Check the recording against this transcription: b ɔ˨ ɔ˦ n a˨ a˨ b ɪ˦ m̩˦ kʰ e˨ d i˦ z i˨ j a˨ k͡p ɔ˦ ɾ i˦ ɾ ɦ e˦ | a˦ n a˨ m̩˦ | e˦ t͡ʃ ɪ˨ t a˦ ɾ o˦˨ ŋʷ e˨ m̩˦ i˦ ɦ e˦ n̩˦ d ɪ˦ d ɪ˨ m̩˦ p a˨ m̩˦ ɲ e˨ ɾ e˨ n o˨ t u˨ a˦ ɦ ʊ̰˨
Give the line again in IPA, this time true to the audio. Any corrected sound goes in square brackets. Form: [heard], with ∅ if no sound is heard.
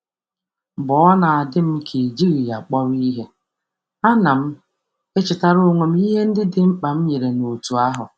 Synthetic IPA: b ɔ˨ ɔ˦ n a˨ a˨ [d] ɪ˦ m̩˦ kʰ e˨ [d͡ʒ] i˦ [ɣ] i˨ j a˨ k͡p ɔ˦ ɾ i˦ [∅] ɦ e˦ | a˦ n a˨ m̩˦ | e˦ t͡ʃ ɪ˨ t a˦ ɾ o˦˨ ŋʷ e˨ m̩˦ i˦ ɦ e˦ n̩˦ d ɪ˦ d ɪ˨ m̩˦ [k͡p] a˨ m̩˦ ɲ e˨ ɾ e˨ n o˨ t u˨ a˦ ɦ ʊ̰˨

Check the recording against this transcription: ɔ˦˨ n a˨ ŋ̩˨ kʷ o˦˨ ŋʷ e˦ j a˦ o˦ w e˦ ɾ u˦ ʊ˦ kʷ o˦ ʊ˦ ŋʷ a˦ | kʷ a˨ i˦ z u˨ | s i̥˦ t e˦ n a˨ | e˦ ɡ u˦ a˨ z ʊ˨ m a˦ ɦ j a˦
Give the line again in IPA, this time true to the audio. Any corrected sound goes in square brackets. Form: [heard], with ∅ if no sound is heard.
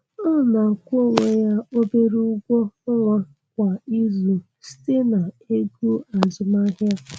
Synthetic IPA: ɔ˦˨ n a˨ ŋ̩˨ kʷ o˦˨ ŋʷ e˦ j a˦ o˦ [b] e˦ ɾ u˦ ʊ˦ [ɡʷ] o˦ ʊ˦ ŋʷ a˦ | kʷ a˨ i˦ z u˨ | s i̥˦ t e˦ n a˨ | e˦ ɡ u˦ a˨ z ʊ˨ m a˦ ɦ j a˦

